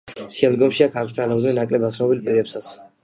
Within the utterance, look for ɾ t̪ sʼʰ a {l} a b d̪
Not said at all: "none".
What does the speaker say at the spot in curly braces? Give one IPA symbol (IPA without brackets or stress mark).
l